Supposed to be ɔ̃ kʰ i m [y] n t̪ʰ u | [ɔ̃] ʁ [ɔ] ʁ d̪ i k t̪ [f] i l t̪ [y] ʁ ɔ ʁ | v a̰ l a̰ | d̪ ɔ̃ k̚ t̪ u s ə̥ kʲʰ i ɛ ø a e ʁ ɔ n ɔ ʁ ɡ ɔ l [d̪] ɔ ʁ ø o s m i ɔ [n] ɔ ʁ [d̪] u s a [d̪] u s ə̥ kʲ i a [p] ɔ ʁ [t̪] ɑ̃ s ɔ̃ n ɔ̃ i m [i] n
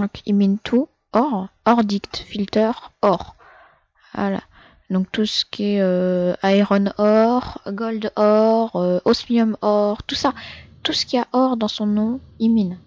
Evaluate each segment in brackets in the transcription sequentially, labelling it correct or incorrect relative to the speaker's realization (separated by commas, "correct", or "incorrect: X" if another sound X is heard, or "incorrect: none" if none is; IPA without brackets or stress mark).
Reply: incorrect: i, incorrect: ɔ, correct, correct, incorrect: œ, correct, incorrect: m, incorrect: t̪, incorrect: t̪, incorrect: ʔ, incorrect: d̪, correct